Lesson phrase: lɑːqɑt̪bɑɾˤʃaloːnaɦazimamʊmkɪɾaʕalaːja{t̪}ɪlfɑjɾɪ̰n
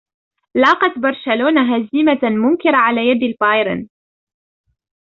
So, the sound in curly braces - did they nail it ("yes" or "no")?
no